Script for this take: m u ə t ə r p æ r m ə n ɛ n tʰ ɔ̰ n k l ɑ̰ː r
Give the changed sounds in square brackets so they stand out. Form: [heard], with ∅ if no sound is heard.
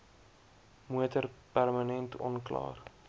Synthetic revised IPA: m u ə t ə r p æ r m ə n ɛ n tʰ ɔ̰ n k l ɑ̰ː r

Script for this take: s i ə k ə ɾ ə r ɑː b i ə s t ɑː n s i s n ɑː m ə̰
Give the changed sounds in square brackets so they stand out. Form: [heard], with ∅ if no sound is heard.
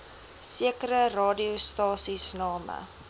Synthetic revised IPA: s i ə k ə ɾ ə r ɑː [d] i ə s t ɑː [∅] s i s n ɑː m ə̰

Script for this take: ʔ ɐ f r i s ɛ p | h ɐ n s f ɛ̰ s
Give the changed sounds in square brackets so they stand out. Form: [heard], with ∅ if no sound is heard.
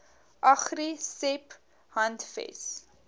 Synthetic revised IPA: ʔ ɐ [χ] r i s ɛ p | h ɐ n [t] f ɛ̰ s

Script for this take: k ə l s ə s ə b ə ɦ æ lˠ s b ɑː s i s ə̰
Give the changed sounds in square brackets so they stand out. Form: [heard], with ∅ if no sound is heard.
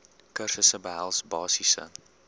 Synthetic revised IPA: k ə [r] s ə s ə b ə ɦ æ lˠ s b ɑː s i s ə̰

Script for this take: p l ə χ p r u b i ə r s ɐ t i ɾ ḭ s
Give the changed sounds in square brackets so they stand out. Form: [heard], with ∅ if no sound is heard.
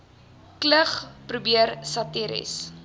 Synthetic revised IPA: [k] l ə χ p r u b i ə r s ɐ t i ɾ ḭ s

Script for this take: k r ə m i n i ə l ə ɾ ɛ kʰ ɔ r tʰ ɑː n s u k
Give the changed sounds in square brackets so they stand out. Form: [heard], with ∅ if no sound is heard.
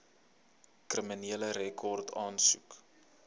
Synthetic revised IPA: k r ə m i n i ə l ə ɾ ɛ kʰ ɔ r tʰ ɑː n s u k

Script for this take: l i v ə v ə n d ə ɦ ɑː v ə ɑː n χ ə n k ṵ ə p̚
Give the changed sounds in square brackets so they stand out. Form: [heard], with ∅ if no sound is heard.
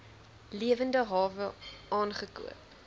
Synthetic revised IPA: l i [∅] ə v ə n d ə ɦ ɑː v ə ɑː n χ ə [∅] k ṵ ə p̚

